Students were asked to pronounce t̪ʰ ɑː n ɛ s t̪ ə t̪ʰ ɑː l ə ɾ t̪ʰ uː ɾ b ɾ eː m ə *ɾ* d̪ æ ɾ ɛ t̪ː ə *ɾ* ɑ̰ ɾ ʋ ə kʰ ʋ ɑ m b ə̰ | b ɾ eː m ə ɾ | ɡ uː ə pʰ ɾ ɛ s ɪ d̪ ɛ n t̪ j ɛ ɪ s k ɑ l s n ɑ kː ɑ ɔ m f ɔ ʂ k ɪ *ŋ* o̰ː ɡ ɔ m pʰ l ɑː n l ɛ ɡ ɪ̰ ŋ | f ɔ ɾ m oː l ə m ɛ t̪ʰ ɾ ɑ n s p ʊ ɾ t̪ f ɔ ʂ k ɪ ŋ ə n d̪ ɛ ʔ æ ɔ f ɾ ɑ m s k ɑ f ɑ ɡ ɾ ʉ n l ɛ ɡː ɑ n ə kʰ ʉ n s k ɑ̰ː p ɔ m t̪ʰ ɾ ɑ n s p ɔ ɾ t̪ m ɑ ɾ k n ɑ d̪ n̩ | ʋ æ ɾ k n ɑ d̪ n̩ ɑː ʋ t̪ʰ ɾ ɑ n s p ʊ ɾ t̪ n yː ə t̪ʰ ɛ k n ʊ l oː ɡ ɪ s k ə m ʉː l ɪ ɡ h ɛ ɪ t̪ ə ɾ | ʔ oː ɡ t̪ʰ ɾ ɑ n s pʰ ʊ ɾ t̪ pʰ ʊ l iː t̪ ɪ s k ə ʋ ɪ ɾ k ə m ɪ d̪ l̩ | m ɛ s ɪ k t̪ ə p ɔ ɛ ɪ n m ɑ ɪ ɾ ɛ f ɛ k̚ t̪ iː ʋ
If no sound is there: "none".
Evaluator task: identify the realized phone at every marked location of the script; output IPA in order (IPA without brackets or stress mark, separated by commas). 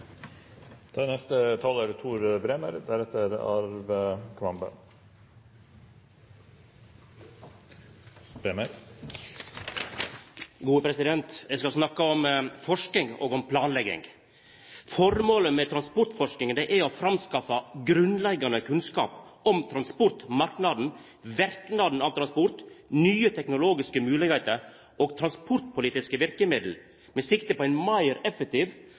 ɾ, ɾ, ŋ